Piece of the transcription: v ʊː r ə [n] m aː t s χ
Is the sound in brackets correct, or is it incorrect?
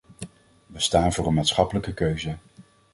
correct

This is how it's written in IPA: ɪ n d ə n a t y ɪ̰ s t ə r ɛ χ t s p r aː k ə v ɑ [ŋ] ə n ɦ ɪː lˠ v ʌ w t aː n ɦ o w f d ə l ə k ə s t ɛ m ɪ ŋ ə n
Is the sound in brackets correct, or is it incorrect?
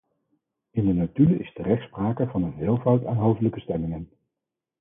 incorrect: n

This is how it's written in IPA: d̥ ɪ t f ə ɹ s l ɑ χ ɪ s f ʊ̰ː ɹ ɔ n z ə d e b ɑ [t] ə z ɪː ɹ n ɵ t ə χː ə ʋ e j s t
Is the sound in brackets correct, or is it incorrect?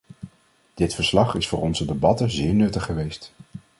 correct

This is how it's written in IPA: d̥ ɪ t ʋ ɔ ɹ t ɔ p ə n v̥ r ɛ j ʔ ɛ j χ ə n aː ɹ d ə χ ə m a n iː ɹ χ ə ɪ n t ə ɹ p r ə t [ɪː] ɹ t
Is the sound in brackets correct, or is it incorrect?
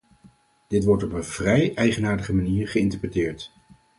correct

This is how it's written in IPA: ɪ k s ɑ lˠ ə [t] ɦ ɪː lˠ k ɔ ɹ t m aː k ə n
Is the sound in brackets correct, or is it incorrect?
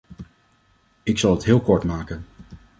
correct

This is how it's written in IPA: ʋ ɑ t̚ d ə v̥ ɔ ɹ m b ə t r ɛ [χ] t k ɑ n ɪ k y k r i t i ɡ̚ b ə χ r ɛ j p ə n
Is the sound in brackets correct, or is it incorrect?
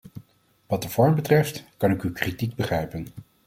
incorrect: f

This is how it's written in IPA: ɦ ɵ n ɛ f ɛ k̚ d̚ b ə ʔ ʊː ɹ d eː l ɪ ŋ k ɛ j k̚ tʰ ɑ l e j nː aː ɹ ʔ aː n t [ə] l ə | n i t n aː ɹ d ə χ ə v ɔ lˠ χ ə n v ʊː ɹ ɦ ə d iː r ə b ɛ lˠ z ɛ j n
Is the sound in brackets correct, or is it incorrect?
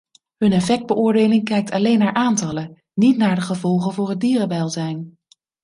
incorrect: ɑ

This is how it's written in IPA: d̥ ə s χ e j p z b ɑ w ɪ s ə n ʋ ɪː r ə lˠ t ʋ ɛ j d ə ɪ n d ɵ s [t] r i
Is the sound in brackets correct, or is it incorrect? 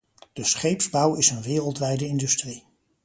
correct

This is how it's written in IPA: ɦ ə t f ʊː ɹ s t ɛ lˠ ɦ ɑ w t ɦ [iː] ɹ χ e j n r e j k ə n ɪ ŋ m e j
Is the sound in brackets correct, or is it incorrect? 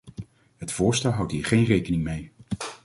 correct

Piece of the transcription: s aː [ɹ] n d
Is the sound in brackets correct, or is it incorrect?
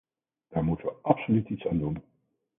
incorrect: none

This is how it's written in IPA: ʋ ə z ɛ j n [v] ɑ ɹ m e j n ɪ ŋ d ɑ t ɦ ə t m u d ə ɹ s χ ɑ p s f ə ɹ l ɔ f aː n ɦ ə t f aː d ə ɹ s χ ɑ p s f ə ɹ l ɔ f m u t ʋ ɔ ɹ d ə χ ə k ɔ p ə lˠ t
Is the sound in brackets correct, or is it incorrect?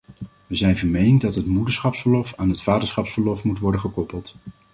correct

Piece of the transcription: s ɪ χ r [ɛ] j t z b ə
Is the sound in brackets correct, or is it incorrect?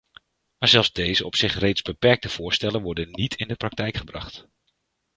incorrect: e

